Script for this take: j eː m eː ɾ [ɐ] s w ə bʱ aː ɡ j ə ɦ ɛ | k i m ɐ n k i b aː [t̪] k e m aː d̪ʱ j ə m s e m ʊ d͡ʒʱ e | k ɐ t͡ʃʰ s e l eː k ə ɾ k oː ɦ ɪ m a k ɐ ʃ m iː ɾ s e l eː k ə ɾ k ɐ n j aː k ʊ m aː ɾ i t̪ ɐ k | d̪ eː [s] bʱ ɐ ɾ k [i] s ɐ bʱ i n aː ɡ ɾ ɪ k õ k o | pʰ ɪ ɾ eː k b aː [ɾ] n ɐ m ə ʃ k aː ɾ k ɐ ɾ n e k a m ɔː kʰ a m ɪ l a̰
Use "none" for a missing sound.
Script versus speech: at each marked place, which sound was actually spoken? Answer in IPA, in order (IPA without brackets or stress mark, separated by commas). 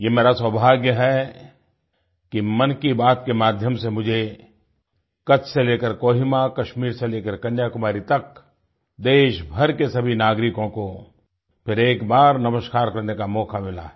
a, t̪, ʃ, e, ɾ